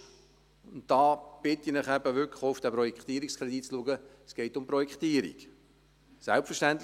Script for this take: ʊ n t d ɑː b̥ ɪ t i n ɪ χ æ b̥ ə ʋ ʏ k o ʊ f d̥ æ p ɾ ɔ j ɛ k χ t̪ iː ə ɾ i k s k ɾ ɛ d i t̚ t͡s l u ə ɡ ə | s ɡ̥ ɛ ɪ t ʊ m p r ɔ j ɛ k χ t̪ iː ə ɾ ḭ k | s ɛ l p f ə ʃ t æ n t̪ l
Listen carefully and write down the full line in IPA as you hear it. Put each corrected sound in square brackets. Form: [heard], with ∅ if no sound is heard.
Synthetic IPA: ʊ n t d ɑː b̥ ɪ t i n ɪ χ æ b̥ ə ʋ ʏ k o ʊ f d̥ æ p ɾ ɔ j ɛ k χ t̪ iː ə ɾ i k s k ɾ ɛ d i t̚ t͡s l u ə ɡ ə | s ɡ̥ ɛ ɪ t ʊ m p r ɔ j ɛ k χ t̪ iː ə ɾ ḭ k | s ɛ l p f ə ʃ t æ n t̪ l